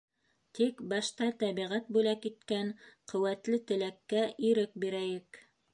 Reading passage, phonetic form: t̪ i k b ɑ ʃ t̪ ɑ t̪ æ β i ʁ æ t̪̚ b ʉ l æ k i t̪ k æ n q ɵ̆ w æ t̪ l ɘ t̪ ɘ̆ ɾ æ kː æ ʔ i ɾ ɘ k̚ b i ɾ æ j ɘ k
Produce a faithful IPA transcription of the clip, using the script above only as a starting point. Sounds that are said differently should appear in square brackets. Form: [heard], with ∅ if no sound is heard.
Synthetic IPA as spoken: t̪ i k b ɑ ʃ t̪ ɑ t̪ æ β i ʁ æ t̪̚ b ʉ l æ k i t̪ k æ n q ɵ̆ w æ t̪ l ɘ t̪ ɘ̆ [l] æ kː æ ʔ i ɾ ɘ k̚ b i ɾ æ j ɘ k